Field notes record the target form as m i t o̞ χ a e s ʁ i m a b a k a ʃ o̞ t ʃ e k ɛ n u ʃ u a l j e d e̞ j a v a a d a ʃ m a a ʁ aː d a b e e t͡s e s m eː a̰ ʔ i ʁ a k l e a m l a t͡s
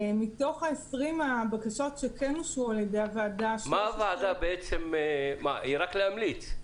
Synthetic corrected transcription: m i t o̞ χ a e s ʁ i m a b a k a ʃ o̞ t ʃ e k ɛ n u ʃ u a l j e d e̞ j a v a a d a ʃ m a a v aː d a b e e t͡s e m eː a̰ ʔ i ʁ a k l e a m l i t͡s

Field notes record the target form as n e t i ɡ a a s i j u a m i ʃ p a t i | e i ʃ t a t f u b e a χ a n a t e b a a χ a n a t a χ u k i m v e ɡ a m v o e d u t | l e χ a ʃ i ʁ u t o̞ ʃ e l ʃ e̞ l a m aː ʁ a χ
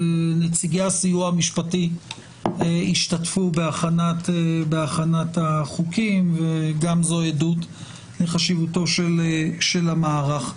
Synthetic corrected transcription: n e t͡s i ɡ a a s i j u a m i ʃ p a t i | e i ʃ t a t f u b e a χ a n a t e b e a χ a n a t a χ u k i m v e ɡ a m z o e d u t | l e χ a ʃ i v u t o̞ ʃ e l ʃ e̞ l a m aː ʁ a χ

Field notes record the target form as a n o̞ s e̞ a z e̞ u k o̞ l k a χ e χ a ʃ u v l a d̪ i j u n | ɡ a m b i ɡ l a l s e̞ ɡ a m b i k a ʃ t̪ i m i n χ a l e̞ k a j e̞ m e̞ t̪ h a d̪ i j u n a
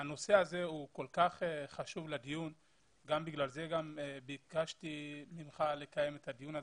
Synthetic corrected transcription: a n o̞ s e̞ a z e̞ u k o̞ l k a χ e χ a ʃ u v l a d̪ i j u n | ɡ a m b i ɡ l a l z e̞ ɡ a m b i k a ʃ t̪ i m i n χ a l e̞ k a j e̞ m e̞ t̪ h a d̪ i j u n a

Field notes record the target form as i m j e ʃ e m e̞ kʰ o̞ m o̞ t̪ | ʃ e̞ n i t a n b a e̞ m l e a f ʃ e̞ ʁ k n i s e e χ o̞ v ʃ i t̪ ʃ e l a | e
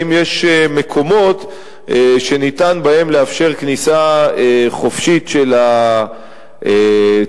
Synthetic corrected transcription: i m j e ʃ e m e̞ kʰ o̞ m o̞ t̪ | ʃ e̞ n i t a n b a e̞ m l e a f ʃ e̞ ʁ k n i s a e χ o̞ f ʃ i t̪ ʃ e l a | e

